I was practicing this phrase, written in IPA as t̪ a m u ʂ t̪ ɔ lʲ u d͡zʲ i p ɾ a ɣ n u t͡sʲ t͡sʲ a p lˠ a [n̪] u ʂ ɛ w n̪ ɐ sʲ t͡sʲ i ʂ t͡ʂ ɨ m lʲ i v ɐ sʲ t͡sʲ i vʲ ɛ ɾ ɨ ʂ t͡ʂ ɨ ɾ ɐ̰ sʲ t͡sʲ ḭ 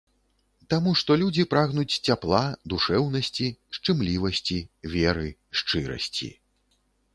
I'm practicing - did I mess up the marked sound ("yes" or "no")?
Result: yes